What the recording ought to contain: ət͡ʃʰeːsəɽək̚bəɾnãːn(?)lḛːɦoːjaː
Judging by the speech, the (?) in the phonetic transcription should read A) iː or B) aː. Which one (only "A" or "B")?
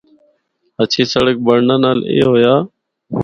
B